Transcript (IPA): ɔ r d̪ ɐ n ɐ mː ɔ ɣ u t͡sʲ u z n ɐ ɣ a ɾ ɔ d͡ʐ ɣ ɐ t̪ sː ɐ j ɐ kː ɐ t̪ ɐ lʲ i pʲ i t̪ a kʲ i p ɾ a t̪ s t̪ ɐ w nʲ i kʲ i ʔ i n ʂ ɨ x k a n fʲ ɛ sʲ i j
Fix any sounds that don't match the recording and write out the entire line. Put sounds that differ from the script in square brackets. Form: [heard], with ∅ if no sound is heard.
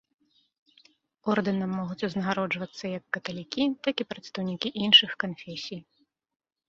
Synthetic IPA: ɔ r d̪ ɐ n ɐ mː ɔ ɣ u t͡sʲ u z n ɐ ɣ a ɾ ɔ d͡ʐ [v] ɐ t̪ sː ɐ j ɐ kː ɐ t̪ ɐ lʲ i [kʲ] i t̪ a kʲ i p ɾ [ɐ] t̪ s t̪ ɐ w nʲ i kʲ i ʔ i n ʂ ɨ x k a n fʲ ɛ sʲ i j